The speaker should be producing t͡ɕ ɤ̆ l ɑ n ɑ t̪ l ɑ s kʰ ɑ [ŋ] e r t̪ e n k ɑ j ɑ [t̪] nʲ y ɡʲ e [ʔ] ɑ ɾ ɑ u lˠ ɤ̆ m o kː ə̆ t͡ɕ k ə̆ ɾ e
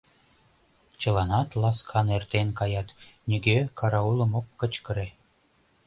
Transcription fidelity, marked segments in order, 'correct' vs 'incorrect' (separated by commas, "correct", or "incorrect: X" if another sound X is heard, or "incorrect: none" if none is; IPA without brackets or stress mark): incorrect: n, correct, incorrect: k